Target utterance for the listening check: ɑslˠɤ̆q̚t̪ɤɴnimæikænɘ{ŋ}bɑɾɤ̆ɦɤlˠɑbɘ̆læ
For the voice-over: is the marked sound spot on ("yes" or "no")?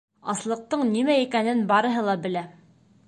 no